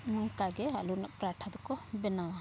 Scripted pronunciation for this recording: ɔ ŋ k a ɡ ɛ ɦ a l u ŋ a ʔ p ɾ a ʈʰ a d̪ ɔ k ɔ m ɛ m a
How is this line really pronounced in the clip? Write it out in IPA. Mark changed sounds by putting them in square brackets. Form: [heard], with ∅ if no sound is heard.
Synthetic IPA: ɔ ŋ k a ɡ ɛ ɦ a l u [n] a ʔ p ɾ a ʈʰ a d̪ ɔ k ɔ [b] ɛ [n] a